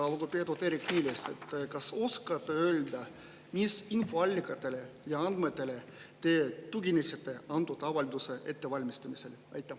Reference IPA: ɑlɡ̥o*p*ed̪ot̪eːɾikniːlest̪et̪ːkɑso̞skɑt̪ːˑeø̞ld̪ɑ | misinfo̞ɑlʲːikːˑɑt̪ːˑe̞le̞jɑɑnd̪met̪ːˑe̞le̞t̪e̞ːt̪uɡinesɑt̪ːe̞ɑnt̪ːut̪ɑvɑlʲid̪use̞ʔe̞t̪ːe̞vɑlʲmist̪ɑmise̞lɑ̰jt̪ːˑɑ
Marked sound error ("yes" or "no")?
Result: no